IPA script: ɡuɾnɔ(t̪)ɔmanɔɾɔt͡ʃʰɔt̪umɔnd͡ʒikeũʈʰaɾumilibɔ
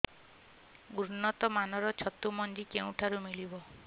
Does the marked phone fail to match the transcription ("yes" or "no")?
no